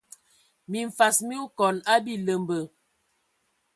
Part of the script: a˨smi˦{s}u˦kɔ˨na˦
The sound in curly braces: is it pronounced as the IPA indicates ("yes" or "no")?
no